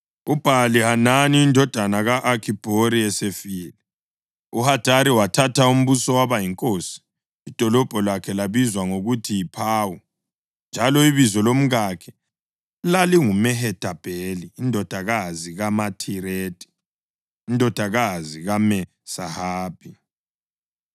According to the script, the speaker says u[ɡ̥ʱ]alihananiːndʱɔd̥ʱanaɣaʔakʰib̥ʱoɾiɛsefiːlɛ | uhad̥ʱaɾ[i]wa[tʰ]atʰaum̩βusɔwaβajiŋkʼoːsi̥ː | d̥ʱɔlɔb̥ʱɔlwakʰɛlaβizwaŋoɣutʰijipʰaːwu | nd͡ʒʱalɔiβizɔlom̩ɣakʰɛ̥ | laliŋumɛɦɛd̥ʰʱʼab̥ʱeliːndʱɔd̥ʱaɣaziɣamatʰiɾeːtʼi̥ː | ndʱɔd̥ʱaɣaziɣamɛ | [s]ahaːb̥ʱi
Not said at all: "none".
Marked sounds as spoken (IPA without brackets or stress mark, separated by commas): b̥ʱ, i, tʰ, s